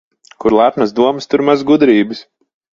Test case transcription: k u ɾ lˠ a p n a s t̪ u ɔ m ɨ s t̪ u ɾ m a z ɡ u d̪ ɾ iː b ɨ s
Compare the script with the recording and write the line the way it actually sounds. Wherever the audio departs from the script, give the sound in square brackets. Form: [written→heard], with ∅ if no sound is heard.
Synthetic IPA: k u ɾ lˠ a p n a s [t̪→d̪] u ɔ m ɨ s t̪ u ɾ m a z ɡ u d̪ ɾ iː b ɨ s